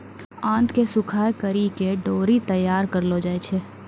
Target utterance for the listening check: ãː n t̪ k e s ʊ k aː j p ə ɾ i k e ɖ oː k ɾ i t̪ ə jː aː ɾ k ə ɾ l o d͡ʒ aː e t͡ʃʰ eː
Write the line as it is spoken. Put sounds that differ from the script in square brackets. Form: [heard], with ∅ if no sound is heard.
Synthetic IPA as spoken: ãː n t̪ k e s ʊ [kʰ] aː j [k] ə ɾ i k e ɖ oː [∅] ɾ i t̪ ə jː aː ɾ k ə ɾ l o d͡ʒ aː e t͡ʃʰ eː

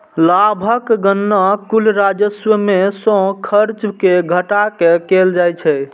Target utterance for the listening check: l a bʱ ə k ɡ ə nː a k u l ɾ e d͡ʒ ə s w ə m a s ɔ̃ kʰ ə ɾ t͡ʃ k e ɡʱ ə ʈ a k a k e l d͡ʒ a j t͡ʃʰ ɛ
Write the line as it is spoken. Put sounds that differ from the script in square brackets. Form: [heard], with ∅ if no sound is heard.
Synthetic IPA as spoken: l a bʱ ə k ɡ ə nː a k u l ɾ [a] d͡ʒ ə s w ə m [e] s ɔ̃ kʰ ə ɾ t͡ʃ k e ɡʱ ə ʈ a k [e] k e l d͡ʒ a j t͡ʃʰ ɛ

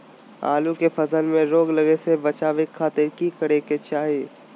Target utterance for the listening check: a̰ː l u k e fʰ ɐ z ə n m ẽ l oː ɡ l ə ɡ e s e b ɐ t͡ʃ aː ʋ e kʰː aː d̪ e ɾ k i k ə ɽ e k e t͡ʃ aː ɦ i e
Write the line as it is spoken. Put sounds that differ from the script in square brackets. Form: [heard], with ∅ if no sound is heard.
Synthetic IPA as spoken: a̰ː l u k e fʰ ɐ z ə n m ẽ [ɾ] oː ɡ l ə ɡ e s e b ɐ t͡ʃ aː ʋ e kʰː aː [t̪] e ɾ k i k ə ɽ e k e t͡ʃ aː ɦ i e

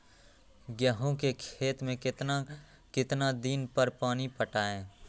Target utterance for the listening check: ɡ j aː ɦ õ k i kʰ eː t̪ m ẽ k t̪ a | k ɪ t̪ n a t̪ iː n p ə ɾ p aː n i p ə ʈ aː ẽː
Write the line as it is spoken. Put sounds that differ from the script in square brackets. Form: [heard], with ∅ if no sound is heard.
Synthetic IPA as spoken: ɡ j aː ɦ õ k [e] kʰ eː t̪ m ẽ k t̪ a | k ɪ t̪ n a [d̪] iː n p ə ɾ p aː n i p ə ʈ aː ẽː

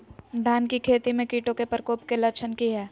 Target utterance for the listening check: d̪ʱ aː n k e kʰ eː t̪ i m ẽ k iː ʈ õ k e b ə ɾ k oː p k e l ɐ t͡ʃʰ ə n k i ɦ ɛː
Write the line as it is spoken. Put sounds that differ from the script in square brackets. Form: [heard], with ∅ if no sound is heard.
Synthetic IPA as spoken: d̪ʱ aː n k [i] kʰ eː t̪ i m ẽ k iː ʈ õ k e [p] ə ɾ k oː p k e l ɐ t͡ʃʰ ə n k i ɦ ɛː

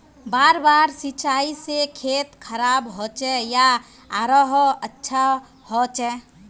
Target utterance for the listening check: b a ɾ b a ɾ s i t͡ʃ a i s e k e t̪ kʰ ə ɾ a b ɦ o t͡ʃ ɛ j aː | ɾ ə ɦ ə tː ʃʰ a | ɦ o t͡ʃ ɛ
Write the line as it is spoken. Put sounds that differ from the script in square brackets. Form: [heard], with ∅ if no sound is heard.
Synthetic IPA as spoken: b a ɾ b a ɾ s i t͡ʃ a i s e [kʰ] e t̪ kʰ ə ɾ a b ɦ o t͡ʃ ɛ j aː | ɾ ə ɦ ə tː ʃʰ a | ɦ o t͡ʃ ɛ

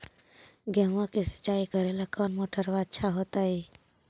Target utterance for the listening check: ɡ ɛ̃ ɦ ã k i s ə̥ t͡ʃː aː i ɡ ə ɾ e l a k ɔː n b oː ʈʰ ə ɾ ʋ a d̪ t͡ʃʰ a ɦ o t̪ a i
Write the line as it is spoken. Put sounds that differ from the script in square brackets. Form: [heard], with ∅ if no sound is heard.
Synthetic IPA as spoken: ɡ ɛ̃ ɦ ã k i s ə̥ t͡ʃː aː i [k] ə ɾ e l a k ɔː n [m] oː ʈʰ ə ɾ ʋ a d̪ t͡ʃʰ a ɦ o t̪ a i

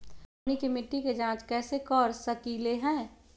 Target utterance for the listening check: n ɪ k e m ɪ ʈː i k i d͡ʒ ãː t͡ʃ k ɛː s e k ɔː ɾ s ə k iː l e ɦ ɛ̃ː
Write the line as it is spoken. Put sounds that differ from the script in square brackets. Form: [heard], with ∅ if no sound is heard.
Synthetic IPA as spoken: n [i] k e m ɪ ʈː i k [e] d͡ʒ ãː t͡ʃ k ɛː s e k ɔː ɾ s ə k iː l e ɦ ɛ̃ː

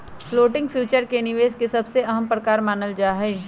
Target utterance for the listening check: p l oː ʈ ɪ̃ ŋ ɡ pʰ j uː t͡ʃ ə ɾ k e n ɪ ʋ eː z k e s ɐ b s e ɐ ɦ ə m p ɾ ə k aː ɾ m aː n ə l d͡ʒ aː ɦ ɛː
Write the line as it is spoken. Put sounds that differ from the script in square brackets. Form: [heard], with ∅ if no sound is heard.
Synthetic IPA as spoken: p l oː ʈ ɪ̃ ŋ ɡ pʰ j uː t͡ʃ ə ɾ k e n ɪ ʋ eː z k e s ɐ b s e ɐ ɦ ə m p ɾ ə k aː ɾ m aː n ə l d͡ʒ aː ɦ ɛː

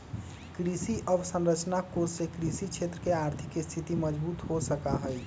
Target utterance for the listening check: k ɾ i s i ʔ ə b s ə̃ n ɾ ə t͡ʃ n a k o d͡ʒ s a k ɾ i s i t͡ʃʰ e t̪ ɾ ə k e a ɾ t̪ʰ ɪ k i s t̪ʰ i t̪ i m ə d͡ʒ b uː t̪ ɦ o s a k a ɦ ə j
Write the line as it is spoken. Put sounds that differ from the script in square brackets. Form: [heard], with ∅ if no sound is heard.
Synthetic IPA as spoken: k ɾ i s i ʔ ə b s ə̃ n ɾ ə t͡ʃ n a k o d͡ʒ s [e] k ɾ i s i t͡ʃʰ e t̪ ɾ ə k e a ɾ t̪ʰ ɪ k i s t̪ʰ i t̪ i m ə d͡ʒ b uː t̪ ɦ o s [ə] k a ɦ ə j

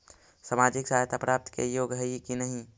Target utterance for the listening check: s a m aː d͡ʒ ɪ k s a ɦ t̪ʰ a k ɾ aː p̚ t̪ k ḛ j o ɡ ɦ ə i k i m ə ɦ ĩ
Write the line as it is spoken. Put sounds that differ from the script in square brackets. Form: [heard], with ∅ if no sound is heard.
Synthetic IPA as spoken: s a m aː d͡ʒ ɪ k s a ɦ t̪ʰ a [p] ɾ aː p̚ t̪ k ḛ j o ɡ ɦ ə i k i [n] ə ɦ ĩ

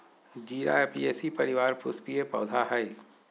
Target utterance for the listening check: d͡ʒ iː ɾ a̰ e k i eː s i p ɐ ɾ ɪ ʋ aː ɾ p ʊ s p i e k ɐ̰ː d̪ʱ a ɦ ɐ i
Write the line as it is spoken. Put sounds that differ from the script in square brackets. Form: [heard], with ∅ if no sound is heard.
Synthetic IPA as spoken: d͡ʒ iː ɾ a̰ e [p] i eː s i p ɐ ɾ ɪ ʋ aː ɾ p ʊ s p i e [p] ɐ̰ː d̪ʱ a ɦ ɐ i

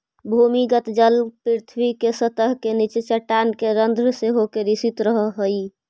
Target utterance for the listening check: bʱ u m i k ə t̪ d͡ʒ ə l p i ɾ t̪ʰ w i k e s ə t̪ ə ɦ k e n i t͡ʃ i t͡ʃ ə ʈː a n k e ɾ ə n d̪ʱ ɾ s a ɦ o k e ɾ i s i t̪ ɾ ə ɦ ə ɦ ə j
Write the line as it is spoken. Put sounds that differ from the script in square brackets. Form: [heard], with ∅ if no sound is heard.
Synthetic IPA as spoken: bʱ u m i [ɡ] ə t̪ d͡ʒ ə l p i ɾ t̪ʰ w i k e s ə t̪ ə ɦ k e n i t͡ʃ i t͡ʃ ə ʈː a n k e ɾ ə n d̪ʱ ɾ s [e] ɦ o k e ɾ i s i t̪ ɾ ə ɦ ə ɦ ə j

